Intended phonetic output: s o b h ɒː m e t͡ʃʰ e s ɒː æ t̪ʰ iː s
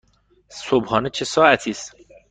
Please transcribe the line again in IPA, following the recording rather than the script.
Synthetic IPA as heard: s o b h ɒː n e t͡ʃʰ e s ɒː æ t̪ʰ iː s